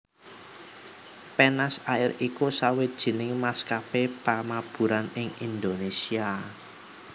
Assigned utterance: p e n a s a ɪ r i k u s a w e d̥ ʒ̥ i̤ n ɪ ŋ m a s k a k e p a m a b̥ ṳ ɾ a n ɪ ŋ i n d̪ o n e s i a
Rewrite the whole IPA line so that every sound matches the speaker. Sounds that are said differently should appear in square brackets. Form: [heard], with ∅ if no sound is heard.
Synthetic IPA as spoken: p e n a s a ɪ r i k u s a w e d̥ ʒ̥ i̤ n ɪ ŋ m a s k a [p] e p a m a b̥ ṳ ɾ a n ɪ ŋ i n d̪ o n e s i a

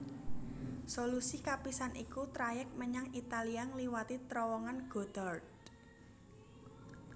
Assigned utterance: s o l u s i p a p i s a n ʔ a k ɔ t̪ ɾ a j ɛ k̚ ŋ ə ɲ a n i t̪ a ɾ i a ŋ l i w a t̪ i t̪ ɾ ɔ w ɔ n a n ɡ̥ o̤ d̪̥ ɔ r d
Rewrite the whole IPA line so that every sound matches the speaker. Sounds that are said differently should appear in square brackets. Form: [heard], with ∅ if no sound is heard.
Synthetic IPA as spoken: s o l u s i [k] a p i s a n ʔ [i] k [u] t̪ ɾ a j ɛ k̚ [m] ə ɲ a [ŋ] i t̪ a [l] i a ŋ l i w a t̪ i t̪ ɾ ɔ w ɔ [ŋ] a n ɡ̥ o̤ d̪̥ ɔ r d

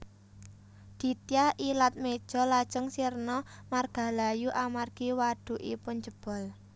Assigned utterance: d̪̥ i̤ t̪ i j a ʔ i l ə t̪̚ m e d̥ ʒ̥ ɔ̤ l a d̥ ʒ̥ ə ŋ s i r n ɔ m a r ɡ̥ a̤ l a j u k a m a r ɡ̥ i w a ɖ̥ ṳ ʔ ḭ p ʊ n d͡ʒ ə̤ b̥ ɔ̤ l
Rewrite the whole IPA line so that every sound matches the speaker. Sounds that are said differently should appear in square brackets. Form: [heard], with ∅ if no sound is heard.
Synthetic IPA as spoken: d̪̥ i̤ t̪ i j a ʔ i l [a] t̪̚ m e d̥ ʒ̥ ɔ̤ l a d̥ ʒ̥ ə ŋ s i r n ɔ m a r ɡ̥ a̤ l a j u [ʔ] a m a r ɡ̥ i w a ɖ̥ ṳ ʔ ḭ p ʊ n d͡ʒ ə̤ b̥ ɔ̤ l

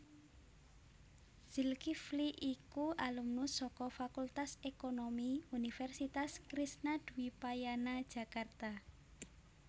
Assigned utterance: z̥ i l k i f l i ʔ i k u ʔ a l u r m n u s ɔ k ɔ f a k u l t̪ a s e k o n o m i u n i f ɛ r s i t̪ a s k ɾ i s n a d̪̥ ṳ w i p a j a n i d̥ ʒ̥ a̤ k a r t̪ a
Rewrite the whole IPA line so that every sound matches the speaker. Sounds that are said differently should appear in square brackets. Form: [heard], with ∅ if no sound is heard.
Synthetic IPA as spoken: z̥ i l k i f l i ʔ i k u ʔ a l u [∅] m n u s ɔ k ɔ f a k u l t̪ a s e k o n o m i u n i f ɛ r s i t̪ a s k ɾ i s n a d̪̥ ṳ w i p a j a n [a] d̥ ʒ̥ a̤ k a r t̪ a

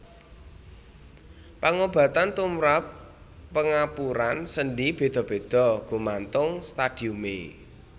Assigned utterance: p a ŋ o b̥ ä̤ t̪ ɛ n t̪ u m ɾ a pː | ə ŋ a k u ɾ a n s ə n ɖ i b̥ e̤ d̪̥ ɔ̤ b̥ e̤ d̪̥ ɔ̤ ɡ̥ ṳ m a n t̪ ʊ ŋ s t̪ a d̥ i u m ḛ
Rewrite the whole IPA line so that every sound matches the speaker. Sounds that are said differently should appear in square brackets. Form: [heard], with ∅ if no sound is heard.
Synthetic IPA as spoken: p a ŋ o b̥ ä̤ t̪ [a] n t̪ u m ɾ a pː | ə ŋ a [p] u ɾ a n s ə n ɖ i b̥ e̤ d̪̥ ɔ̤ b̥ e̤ d̪̥ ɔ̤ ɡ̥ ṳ m a n t̪ ʊ ŋ s t̪ a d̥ i u m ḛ

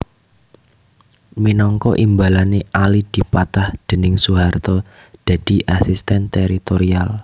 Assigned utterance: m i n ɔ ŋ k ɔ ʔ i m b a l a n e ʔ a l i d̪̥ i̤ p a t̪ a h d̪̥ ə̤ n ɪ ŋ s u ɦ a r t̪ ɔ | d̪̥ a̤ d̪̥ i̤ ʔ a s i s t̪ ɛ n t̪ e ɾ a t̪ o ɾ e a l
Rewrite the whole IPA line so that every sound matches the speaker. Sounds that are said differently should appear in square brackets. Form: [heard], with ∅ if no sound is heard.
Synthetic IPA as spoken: m i n ɔ ŋ k ɔ ʔ i m b a l a n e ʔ a l i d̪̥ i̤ p a t̪ a h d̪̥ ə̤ n ɪ ŋ s u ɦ a r t̪ ɔ | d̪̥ a̤ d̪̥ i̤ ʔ a s i s t̪ ɛ n t̪ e ɾ [i] t̪ o ɾ [i] a l

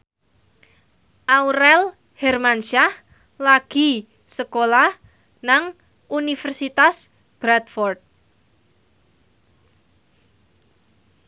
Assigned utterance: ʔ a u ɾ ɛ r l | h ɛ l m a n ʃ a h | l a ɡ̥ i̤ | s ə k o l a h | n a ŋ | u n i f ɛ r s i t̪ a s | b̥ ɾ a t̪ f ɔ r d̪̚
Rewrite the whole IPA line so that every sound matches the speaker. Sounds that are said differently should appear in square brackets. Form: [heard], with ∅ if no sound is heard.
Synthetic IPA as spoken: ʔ a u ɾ ɛ [∅] l | h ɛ [r] m a n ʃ a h | l a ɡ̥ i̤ | s ə k o l a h | n a ŋ | u n i f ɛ r s i t̪ a s | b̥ ɾ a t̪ f ɔ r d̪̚

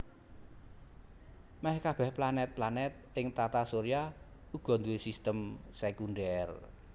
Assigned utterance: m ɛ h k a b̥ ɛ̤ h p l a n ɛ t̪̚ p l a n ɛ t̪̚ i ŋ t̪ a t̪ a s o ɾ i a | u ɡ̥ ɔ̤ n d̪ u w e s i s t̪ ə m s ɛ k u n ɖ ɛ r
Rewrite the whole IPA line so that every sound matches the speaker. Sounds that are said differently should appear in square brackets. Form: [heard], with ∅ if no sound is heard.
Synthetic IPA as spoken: m ɛ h k a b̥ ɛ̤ h p l a n ɛ t̪̚ p l a n ɛ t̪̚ [ɪ] ŋ t̪ a t̪ a s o ɾ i a | u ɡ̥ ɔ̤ n d̪ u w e s i s t̪ ə m s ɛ k u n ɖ ɛ r

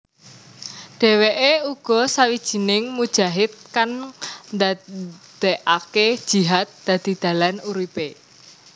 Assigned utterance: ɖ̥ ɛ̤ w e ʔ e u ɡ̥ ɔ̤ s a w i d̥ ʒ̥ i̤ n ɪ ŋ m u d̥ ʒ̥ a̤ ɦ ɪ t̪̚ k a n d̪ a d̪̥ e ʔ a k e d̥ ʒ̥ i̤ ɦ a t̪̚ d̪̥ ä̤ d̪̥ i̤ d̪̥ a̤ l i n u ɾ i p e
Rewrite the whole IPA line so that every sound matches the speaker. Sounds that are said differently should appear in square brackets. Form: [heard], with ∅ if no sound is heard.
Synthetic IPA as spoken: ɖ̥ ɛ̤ w e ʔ e u ɡ̥ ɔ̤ s a w i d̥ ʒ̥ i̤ n ɪ ŋ m u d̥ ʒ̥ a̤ ɦ ɪ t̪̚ k a n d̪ a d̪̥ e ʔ a k e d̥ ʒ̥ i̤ ɦ a t̪̚ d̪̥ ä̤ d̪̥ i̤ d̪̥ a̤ l [a] n u ɾ i p e

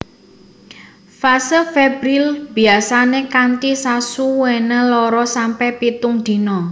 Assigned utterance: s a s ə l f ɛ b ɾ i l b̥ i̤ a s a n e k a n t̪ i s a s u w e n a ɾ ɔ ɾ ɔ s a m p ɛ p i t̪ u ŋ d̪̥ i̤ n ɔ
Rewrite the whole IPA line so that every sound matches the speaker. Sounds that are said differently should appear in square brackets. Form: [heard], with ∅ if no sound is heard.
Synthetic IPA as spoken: [f] a s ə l f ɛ b ɾ i l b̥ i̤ a s a n e k a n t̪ i s a s u w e n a [l] ɔ ɾ ɔ s a m p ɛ p i t̪ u ŋ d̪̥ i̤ n ɔ

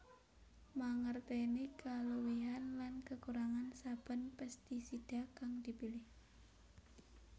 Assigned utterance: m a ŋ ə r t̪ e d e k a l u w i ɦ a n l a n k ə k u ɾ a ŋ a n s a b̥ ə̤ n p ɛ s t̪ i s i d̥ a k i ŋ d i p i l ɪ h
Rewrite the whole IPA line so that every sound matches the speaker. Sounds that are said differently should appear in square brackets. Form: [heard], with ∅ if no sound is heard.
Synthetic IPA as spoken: m a ŋ ə r t̪ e [n] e k a l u w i ɦ a n l a n k ə k u ɾ a ŋ a n s a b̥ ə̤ n p ɛ s t̪ i s i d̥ a k [a] ŋ d i p i l ɪ h

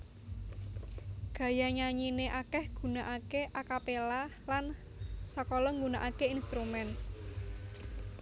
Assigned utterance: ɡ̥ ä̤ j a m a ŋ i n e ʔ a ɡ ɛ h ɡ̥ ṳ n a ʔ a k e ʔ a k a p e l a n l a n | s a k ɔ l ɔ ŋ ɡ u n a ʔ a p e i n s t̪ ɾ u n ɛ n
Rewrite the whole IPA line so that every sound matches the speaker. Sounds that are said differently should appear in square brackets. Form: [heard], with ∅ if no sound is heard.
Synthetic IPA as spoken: ɡ̥ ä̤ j a [ɲ] a [ɲ] i n e ʔ a [k] ɛ h ɡ̥ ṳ n a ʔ a k e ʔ a k a p e l a [∅] l a n | s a k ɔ l ɔ ŋ ɡ u n a ʔ a [k] e i n s t̪ ɾ u [m] ɛ n

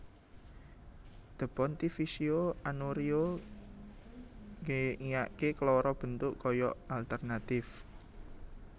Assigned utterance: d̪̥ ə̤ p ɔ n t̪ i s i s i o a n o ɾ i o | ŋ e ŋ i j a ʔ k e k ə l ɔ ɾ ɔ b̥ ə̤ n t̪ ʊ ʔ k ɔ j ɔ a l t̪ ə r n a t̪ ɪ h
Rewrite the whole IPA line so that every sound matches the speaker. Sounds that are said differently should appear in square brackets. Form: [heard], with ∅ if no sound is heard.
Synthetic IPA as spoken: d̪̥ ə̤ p ɔ n t̪ i [f] i s i o a n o ɾ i o | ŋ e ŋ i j a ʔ k e k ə l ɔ ɾ ɔ b̥ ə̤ n t̪ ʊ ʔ k ɔ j ɔ a l t̪ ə r n a t̪ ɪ [f]

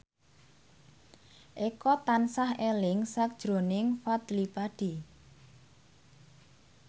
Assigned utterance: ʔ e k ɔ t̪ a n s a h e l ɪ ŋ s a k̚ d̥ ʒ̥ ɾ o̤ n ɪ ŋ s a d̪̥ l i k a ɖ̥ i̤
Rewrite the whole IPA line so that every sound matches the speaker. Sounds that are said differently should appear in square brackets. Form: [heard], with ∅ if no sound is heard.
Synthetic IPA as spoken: ʔ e k ɔ t̪ a n s a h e l ɪ ŋ s a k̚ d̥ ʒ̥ ɾ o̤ n ɪ ŋ [f] a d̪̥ l i [p] a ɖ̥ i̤

